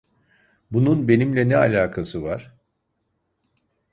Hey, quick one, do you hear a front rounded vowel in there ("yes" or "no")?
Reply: no